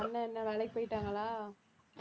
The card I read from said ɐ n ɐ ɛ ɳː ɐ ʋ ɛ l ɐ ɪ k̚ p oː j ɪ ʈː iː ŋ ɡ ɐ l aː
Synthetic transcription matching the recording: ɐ nː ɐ ɛ nː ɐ ʋ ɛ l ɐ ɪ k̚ p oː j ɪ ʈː aː ŋ ɡ ɐ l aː